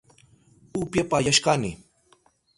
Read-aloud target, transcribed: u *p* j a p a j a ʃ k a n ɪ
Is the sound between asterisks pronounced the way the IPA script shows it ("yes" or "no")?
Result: yes